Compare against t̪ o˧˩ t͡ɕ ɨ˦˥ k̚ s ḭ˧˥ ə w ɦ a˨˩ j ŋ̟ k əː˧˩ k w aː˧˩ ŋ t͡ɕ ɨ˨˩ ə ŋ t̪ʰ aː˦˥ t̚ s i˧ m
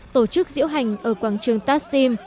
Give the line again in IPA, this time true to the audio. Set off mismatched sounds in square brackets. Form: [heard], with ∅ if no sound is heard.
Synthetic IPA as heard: t̪ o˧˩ t͡ɕ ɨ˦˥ k̚ [z] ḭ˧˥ ə w ɦ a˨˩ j ŋ̟ [ʔ] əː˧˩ k w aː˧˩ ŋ t͡ɕ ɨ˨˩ ə ŋ [t̪] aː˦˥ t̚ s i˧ m

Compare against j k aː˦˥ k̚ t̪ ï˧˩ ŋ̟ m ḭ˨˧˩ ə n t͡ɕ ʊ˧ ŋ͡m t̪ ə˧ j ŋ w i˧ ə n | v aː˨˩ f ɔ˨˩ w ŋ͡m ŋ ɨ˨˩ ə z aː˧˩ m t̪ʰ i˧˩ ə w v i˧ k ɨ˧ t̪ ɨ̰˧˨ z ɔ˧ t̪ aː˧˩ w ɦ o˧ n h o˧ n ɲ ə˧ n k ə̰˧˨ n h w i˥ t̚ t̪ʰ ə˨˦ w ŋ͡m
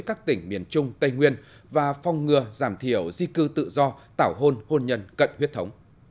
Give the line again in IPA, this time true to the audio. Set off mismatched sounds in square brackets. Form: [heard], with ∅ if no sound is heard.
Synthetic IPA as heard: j k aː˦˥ k̚ t̪ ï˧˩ ŋ̟ m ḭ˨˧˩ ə n t͡ɕ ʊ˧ ŋ͡m t̪ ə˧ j ŋ w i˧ ə n | v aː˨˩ f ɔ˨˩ w ŋ͡m ŋ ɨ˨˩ ə z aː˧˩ m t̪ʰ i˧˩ ə w [z] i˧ k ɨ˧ t̪ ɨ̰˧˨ z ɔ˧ t̪ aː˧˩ w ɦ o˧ n h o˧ n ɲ ə˧ n k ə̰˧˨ n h w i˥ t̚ t̪ʰ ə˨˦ w ŋ͡m

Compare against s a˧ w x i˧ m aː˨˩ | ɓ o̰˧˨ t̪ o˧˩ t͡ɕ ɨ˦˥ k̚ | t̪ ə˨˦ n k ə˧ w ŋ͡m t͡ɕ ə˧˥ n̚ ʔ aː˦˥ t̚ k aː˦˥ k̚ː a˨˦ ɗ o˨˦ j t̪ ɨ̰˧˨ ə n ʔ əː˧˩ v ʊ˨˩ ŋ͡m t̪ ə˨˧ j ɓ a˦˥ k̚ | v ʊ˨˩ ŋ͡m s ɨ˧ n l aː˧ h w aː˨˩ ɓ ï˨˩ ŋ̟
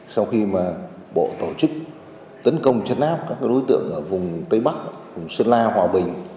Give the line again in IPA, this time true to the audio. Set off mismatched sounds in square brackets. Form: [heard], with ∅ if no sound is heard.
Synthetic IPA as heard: s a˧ w x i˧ m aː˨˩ | ɓ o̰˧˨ t̪ o˧˩ t͡ɕ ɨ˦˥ k̚ | t̪ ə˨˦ n k ə˧ w ŋ͡m t͡ɕ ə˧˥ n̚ ʔ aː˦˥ [p̚] k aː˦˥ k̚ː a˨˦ ɗ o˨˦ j t̪ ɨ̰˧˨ ə [ŋ] ʔ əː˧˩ v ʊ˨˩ ŋ͡m t̪ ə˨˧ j ɓ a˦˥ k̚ | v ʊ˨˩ ŋ͡m s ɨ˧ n l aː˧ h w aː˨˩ ɓ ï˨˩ ŋ̟

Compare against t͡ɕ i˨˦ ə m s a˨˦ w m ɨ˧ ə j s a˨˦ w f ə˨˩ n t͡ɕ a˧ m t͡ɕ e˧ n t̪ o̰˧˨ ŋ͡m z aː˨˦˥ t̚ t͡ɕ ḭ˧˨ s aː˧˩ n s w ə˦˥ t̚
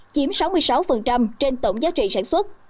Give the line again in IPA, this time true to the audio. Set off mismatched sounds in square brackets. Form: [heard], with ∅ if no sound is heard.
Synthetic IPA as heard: t͡ɕ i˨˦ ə m s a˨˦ w m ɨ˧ ə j s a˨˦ w f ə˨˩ n t͡ɕ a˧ m t͡ɕ e˧ n t̪ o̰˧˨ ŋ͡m z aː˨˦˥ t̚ t͡ɕ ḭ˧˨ s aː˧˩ n s w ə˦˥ t̚

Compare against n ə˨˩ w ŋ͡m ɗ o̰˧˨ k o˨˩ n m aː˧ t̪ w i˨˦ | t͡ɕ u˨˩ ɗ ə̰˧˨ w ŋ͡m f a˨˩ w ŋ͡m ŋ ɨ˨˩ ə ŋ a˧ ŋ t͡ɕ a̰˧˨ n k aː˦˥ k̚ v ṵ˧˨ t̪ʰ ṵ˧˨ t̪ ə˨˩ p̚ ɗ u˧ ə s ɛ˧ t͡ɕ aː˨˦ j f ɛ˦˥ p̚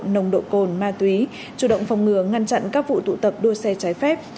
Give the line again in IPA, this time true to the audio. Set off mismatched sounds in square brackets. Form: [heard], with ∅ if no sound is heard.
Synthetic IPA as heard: n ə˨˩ w ŋ͡m ɗ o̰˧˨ k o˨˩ n m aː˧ t̪ w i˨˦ | t͡ɕ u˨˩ ɗ ə̰˧˨ w ŋ͡m f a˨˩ w ŋ͡m ŋ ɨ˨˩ ə ŋ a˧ [n] t͡ɕ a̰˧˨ n k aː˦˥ k̚ v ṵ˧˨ [t̪] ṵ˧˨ t̪ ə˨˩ p̚ ɗ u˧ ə s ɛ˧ t͡ɕ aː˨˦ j f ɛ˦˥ p̚

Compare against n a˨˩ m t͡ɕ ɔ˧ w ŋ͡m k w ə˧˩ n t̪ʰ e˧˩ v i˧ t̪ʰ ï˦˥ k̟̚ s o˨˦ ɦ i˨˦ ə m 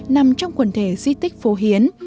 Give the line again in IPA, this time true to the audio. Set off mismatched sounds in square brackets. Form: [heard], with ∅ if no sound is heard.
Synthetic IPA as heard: n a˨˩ m t͡ɕ ɔ˧ w ŋ͡m k w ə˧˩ n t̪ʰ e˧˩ [z] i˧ [t̪] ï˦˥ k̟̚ [f] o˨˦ ɦ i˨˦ ə [n]

